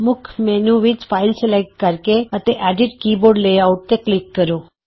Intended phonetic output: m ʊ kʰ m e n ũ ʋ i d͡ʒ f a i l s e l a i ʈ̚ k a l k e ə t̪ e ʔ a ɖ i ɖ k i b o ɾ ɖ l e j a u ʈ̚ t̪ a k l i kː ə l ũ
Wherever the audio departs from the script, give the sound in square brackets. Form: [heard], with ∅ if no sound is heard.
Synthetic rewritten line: m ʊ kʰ m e n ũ ʋ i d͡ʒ f a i l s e l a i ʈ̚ k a [ɾ] k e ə t̪ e ʔ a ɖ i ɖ k i b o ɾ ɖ l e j a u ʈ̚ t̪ [e] k l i kː ə [ɾ] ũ